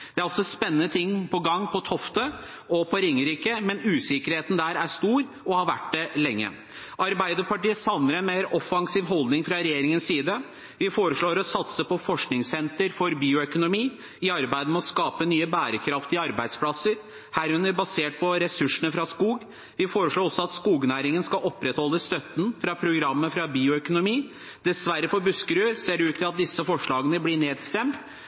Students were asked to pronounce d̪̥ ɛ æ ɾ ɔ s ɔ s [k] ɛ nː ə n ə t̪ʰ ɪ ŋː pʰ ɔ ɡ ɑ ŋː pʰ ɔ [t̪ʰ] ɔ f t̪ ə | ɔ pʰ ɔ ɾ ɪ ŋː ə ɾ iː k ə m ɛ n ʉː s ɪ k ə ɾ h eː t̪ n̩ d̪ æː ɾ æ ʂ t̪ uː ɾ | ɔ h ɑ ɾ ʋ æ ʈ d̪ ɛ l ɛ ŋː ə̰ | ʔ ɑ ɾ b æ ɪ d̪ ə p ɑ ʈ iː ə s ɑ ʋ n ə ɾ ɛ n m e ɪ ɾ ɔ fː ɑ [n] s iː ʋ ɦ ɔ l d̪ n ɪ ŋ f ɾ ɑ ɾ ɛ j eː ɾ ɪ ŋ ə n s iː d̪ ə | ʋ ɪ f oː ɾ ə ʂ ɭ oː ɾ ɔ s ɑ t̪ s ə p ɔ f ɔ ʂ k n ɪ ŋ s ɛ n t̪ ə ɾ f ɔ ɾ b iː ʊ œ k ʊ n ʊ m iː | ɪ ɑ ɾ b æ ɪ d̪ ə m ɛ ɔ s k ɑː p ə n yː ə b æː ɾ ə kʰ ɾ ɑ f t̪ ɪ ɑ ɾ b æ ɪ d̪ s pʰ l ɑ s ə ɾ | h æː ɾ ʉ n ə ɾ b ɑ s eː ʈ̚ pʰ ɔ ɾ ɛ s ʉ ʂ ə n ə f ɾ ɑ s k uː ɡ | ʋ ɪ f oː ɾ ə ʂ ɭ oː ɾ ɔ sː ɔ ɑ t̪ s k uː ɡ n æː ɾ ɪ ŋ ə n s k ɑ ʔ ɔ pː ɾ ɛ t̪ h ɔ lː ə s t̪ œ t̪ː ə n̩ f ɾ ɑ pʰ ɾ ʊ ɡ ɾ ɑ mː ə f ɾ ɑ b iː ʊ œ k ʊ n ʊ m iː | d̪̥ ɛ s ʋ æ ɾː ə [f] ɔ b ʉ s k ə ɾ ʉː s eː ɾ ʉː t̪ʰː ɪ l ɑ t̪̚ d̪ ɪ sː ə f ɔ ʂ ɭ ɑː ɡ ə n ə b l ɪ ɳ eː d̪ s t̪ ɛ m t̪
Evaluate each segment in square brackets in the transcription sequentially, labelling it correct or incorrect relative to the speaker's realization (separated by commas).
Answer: incorrect, correct, incorrect, correct